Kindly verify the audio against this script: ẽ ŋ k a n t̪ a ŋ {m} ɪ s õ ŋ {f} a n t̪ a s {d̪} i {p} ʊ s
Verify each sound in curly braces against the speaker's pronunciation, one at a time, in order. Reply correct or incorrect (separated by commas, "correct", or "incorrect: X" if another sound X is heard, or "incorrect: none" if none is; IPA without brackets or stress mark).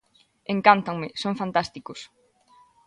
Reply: correct, correct, incorrect: t̪, incorrect: k